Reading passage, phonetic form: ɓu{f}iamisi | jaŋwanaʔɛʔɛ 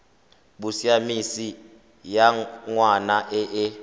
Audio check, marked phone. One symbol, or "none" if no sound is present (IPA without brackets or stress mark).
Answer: s